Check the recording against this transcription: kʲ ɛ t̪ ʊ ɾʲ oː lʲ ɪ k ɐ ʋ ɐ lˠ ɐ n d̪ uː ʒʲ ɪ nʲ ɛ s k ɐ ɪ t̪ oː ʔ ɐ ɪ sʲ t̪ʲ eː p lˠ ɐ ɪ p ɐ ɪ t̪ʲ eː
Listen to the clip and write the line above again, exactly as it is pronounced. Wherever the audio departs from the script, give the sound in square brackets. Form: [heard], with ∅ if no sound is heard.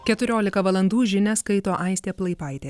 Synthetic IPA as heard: kʲ ɛ t̪ ʊ ɾʲ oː lʲ ɪ k ɐ ʋ ɐ lˠ ɐ n d̪ uː ʒʲ ɪ nʲ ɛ s k ɐ ɪ t̪ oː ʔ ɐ ɪ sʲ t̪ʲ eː p lˠ ɐ ɪ p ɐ ɪ t̪ʲ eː